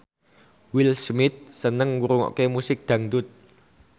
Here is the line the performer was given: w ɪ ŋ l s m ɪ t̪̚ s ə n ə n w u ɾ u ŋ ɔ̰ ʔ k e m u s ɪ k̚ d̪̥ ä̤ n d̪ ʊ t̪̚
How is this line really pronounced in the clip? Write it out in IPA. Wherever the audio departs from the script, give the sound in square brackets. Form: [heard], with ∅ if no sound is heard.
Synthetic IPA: w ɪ [∅] l s m ɪ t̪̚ s ə n ə [ŋ] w u ɾ u ŋ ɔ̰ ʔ k e m u s ɪ k̚ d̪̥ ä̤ [ŋ] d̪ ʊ t̪̚